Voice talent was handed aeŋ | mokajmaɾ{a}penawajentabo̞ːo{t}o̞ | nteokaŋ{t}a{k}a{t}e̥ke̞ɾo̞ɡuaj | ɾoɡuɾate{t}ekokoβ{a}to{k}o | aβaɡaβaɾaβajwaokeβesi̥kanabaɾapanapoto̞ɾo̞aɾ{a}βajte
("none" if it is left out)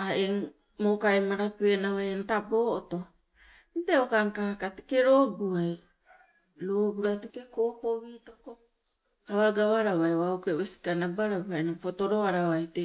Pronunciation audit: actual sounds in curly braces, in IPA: a, t, k, k, t, k, i, k, a

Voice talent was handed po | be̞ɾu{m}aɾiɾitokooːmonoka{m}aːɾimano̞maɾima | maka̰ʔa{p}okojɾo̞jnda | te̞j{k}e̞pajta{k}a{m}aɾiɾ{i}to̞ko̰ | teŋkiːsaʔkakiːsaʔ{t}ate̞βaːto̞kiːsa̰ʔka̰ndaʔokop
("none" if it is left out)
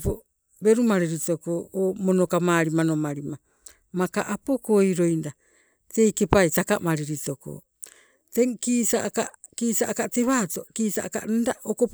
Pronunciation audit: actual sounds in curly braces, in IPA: m, m, p, k, k, m, i, k

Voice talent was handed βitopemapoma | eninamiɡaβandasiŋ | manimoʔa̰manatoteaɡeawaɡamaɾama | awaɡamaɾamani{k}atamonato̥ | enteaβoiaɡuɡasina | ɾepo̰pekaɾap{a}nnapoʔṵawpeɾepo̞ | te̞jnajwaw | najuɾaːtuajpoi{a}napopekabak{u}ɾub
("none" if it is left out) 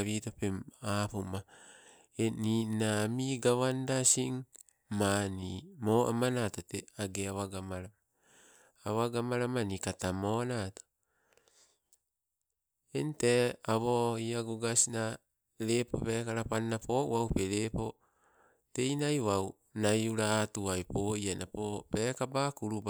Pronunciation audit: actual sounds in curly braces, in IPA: k, a, a, u

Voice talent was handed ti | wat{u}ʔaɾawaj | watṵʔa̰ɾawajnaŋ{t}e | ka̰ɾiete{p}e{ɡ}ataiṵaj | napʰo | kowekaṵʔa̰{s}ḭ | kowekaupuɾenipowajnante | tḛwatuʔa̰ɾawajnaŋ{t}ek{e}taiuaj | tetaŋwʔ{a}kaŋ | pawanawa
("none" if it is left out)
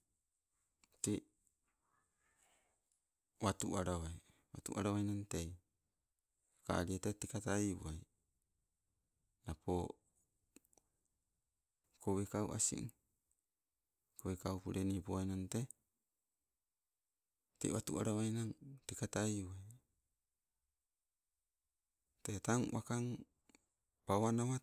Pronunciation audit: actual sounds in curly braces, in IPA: u, t, t, k, s, t, a, a

